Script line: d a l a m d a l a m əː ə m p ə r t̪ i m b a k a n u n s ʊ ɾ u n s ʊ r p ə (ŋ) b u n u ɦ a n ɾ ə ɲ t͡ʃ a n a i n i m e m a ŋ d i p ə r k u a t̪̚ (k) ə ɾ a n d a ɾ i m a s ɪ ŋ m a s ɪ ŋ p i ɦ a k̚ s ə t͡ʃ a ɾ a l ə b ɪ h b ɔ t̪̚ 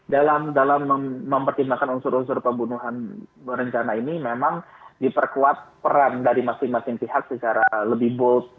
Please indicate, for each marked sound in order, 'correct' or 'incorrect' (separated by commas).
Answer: incorrect, incorrect